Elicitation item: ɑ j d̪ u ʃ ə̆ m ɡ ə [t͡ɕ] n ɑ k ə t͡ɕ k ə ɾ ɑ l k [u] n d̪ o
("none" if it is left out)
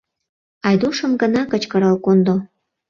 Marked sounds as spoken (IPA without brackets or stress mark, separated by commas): none, o